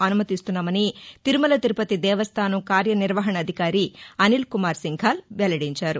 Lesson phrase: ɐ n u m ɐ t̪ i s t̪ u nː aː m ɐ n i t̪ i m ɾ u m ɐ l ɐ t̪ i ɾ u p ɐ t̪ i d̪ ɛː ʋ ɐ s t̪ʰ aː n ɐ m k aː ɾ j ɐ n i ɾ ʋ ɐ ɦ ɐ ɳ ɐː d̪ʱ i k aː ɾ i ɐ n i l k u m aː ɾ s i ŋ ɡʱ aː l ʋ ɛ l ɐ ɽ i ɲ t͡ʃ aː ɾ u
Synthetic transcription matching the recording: ɐ n u m ɐ t̪ i s t̪ u nː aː m ɐ n i t̪ i ɾ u m ɐ l ɐ t̪ i ɾ u p ɐ t̪ i d̪ ɛː ʋ ɐ s t̪ʰ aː n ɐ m k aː ɾ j ɐ n i ɾ ʋ ɐ ɦ ɐ ɳ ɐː d̪ʱ i k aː ɾ i ɐ n i l k u m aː ɾ s i ŋ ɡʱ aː l ʋ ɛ l ɐ ɽ i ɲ t͡ʃ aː ɾ u